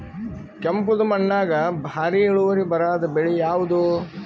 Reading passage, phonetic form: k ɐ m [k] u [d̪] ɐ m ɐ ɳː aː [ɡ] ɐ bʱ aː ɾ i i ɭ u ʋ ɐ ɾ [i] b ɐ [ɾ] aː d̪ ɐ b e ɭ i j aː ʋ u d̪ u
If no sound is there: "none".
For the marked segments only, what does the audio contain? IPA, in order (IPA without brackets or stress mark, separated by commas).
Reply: p, d̪, ɡ, i, ɾ